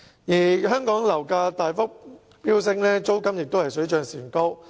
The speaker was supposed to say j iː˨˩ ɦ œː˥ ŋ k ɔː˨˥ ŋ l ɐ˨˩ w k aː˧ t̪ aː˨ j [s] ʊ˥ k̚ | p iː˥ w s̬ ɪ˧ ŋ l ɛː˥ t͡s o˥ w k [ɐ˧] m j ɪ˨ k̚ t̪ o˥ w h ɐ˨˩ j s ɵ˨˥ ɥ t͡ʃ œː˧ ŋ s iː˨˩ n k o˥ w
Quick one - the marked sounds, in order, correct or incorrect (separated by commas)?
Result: incorrect, incorrect